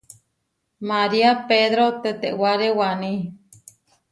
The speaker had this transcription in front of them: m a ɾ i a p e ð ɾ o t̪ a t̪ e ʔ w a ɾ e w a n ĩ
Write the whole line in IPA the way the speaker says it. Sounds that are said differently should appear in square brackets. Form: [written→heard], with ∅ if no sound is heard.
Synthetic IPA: m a ɾ i a p e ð ɾ o t̪ [a→e] t̪ e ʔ w a ɾ e w a n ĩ